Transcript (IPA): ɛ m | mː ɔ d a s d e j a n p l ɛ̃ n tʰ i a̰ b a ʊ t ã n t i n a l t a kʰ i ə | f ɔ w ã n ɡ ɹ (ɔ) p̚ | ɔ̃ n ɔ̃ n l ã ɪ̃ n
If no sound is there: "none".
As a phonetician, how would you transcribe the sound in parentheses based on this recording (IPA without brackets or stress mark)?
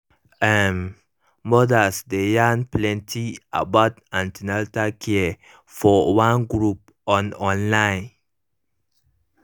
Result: u